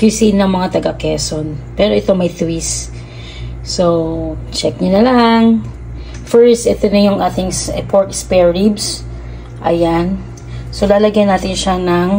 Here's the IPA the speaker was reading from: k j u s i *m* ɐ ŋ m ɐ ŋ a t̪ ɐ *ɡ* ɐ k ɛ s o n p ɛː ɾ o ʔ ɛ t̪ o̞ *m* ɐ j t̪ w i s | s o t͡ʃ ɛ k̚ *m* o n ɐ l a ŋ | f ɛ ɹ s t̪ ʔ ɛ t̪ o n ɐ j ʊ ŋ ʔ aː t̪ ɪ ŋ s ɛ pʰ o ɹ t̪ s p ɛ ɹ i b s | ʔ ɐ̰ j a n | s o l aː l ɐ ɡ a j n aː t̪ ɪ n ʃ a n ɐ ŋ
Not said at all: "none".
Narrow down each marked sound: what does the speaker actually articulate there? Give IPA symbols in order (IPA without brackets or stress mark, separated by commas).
n, ɡ, m, ɲ